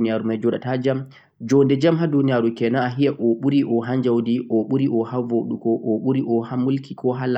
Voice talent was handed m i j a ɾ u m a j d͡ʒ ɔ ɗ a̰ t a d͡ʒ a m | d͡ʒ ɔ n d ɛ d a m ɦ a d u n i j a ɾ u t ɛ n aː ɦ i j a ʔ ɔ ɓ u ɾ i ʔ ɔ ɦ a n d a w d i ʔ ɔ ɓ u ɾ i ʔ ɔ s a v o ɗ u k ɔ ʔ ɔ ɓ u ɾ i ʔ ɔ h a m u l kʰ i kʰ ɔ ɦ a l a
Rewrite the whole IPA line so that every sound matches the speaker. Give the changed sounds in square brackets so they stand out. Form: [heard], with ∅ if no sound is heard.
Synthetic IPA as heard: [n] i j a ɾ u m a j d͡ʒ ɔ ɗ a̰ t a d͡ʒ a m | d͡ʒ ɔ n d ɛ [d͡ʒ] a m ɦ a d u n i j a ɾ u [k] ɛ n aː ɦ i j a ʔ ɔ ɓ u ɾ i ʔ ɔ ɦ a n [d͡ʒ] a w d i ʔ ɔ ɓ u ɾ i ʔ ɔ [h] a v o ɗ u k ɔ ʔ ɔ ɓ u ɾ i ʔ ɔ h a m u l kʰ i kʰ ɔ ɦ a l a